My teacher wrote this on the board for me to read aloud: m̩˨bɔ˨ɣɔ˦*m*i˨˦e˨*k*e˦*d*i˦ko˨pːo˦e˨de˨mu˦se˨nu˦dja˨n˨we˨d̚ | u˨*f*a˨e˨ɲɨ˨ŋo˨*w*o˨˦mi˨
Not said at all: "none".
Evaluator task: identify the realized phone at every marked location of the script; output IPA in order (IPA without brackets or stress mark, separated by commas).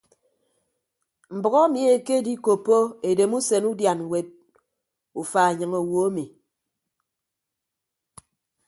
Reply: m, k, d, f, w